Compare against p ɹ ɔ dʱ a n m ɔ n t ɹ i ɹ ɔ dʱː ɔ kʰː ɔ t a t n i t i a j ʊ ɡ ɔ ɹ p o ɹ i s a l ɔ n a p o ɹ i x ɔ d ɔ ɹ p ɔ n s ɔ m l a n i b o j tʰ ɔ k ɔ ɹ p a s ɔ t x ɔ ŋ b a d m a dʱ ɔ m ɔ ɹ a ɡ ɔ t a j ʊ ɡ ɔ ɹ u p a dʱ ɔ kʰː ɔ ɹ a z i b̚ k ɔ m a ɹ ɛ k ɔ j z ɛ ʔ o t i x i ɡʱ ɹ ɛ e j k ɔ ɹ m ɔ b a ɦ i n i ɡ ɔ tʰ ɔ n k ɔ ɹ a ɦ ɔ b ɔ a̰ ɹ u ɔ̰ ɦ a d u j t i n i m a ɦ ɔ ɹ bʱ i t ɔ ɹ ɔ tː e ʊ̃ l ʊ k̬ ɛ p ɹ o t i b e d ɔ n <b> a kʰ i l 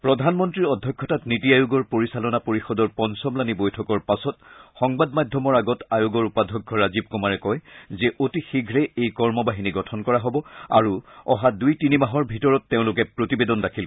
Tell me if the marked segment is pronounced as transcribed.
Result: no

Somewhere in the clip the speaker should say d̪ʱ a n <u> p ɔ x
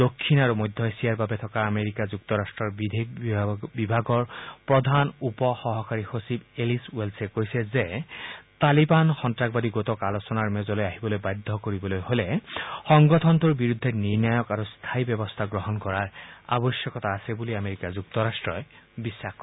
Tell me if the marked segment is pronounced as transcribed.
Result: yes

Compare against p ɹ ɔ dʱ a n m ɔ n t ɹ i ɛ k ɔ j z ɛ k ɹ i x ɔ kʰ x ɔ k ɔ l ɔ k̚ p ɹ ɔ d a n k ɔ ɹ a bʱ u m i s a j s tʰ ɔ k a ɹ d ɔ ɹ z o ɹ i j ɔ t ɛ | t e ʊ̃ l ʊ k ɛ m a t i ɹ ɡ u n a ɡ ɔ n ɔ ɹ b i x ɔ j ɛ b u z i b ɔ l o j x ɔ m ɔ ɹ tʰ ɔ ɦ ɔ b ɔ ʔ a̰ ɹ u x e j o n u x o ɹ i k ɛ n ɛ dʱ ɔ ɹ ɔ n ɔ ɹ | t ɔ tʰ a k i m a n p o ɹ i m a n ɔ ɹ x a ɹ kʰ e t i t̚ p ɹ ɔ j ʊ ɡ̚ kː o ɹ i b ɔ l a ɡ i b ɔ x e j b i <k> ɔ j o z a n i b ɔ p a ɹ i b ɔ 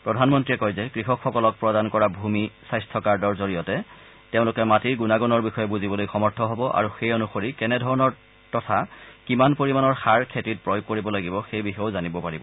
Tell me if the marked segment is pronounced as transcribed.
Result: no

